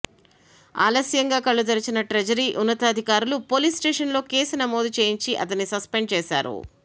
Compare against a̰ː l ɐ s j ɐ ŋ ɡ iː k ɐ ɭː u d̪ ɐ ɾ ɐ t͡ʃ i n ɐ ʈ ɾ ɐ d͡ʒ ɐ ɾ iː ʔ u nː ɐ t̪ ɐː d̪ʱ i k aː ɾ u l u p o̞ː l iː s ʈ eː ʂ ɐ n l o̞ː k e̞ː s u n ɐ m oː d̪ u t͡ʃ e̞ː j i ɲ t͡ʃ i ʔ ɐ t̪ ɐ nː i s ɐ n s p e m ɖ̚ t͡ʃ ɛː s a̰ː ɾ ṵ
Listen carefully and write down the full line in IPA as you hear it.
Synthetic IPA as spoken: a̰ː l ɐ s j ɐ ŋ ɡ aː k ɐ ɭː u d̪ ɐ ɾ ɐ t͡ʃ i n ɐ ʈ ɾ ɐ d͡ʒ ɐ ɾ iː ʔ u nː ɐ t̪ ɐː d̪ʱ i k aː ɾ u l u p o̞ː l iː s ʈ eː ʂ ɐ n l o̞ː k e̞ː s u n ɐ m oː d̪ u t͡ʃ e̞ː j i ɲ t͡ʃ i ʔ ɐ t̪ ɐ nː i s ɐ s p e ɳ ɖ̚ t͡ʃ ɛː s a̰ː ɾ ṵ